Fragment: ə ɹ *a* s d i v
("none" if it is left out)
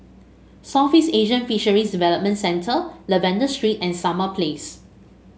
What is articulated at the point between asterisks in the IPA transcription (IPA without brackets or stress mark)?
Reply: i